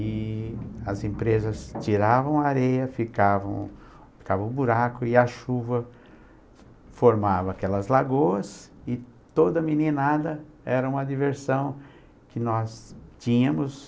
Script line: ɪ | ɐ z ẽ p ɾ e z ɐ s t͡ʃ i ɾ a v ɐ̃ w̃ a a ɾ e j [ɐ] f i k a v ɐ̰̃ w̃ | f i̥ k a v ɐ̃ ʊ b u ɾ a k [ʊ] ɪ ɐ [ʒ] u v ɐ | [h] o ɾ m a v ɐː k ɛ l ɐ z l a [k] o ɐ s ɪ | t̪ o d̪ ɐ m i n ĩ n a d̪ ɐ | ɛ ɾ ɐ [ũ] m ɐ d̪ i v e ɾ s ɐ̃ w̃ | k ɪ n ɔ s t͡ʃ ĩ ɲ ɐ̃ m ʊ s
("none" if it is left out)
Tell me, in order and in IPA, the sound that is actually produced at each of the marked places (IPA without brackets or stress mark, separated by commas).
ɐ, ʊ, ʃ, f, ɡ, ũ